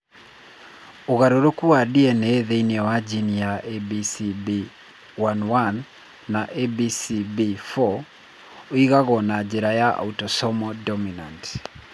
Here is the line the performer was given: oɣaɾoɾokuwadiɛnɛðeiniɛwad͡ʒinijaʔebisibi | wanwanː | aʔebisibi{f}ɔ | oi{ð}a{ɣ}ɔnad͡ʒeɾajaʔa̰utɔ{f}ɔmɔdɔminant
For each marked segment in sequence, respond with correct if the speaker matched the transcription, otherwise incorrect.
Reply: correct, incorrect, correct, incorrect

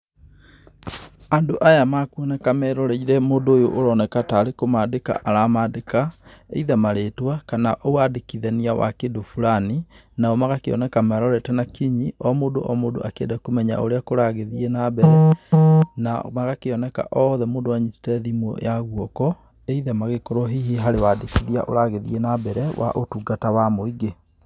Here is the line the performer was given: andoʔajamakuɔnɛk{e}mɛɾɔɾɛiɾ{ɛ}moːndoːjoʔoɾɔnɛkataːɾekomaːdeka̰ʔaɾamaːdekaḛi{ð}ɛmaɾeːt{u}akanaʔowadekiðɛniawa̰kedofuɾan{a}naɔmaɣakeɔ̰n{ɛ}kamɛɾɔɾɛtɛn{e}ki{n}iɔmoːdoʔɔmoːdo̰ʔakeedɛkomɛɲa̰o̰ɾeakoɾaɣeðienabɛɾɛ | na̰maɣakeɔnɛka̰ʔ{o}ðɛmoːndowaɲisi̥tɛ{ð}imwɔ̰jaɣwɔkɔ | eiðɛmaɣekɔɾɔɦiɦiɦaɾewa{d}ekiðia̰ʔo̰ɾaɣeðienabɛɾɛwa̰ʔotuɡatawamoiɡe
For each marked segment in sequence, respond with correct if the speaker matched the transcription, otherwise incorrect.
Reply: incorrect, correct, correct, incorrect, incorrect, correct, incorrect, incorrect, incorrect, correct, correct

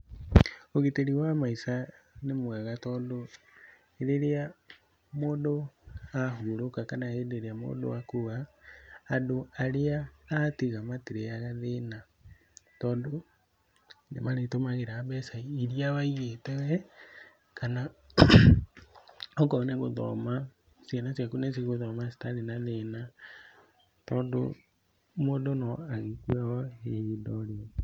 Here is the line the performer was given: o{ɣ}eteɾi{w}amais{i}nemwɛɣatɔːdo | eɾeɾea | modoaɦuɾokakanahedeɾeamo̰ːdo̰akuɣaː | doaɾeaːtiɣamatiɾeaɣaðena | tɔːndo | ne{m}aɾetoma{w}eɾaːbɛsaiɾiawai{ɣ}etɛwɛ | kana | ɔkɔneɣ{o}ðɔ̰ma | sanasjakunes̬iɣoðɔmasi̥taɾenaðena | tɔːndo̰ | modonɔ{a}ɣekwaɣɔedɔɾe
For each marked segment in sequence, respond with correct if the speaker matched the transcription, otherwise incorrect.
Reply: correct, correct, incorrect, correct, incorrect, correct, correct, correct

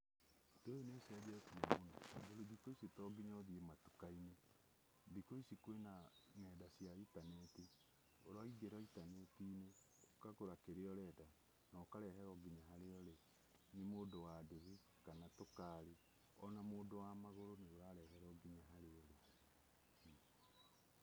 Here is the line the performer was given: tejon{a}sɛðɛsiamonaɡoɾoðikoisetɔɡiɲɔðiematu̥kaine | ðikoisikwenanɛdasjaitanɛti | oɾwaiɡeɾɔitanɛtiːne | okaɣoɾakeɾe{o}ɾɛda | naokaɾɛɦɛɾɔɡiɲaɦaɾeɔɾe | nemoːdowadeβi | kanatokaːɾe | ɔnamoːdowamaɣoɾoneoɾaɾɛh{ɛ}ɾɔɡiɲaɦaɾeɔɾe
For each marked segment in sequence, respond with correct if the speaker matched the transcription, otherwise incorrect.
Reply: incorrect, incorrect, correct

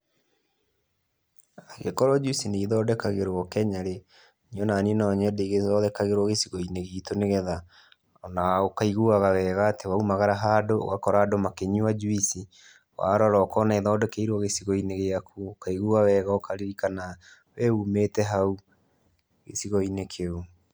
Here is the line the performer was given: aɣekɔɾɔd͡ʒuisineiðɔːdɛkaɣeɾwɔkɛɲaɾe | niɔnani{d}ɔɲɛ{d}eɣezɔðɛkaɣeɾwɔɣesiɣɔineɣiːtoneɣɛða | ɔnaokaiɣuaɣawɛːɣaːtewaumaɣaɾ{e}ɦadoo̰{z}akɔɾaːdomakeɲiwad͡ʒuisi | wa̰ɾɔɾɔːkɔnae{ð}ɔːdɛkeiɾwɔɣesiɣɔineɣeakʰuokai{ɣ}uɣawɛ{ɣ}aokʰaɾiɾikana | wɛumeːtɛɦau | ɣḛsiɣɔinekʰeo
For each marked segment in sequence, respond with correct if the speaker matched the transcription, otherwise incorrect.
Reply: incorrect, correct, incorrect, incorrect, correct, correct, correct

